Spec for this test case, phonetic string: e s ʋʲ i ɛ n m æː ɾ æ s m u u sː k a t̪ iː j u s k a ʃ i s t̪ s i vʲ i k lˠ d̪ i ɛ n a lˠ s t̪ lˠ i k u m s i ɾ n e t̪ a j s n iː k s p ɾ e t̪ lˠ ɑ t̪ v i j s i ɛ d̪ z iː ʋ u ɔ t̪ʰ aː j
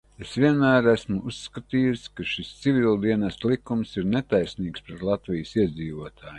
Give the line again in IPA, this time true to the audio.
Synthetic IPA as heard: e s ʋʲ i ɛ n m æː ɾ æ s m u u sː k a t̪ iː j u s k a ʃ i s t̪ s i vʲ i lˠ d̪ i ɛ n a s t̪ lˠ i k u m s i ɾ n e t̪ a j s n iː k s p ɾ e t̪ lˠ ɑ t̪ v i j s i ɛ d̪ z iː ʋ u ɔ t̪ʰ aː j